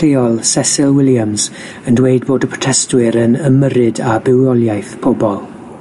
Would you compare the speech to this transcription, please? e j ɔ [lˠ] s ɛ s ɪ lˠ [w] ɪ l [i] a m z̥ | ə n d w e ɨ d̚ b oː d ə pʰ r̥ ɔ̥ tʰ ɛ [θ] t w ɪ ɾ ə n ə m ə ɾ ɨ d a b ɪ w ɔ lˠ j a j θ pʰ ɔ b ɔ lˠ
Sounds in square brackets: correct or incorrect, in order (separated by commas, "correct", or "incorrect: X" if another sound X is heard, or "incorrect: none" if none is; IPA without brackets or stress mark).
correct, correct, incorrect: j, incorrect: s